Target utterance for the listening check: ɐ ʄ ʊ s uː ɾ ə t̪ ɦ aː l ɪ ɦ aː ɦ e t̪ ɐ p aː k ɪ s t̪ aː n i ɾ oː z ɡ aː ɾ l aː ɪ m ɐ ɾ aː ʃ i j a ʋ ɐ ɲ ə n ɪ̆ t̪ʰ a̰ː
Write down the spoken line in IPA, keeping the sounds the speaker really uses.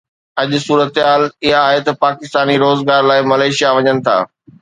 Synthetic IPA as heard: ɐ ʄ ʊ s uː ɾ ə t̪ ɦ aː l ɪ ɦ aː ɦ e t̪ ɐ p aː k ɪ s t̪ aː n i ɾ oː z ɡ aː ɾ l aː ɪ m ɐ l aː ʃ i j a ʋ ɐ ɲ ə n ɪ̆ t̪ʰ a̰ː